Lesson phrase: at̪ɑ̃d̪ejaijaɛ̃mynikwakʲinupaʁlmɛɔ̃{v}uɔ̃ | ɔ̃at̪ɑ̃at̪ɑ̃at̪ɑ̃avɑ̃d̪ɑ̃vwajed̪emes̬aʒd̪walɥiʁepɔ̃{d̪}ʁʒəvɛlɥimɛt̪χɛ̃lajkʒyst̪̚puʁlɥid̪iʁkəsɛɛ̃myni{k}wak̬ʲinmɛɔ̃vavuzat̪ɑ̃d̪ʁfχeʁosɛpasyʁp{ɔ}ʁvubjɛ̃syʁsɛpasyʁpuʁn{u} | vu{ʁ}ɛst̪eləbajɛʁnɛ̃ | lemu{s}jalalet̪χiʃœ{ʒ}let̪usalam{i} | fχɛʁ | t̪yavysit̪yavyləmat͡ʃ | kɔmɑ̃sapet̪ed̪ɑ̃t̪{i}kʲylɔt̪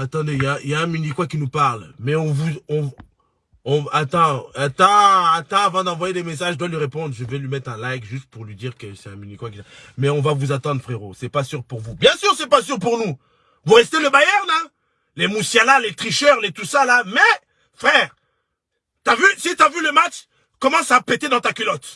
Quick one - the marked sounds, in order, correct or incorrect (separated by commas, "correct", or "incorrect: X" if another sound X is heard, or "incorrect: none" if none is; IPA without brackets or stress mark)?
correct, correct, correct, incorrect: u, correct, correct, correct, incorrect: ʁ, incorrect: ɛ, incorrect: a